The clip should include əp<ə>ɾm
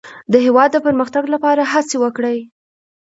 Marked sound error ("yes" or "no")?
no